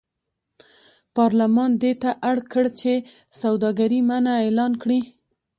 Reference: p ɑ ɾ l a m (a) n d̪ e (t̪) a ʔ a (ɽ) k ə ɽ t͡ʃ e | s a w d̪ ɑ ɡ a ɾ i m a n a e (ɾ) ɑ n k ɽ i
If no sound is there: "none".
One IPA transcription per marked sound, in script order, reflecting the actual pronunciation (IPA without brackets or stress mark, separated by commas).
ɑ, t̪, ɽ, l